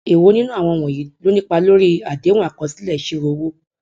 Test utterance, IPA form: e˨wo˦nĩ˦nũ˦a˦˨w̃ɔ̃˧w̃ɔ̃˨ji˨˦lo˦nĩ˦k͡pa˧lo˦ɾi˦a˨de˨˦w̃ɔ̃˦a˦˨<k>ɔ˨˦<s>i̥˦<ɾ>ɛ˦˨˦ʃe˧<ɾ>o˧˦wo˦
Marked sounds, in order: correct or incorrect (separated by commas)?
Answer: correct, correct, incorrect, correct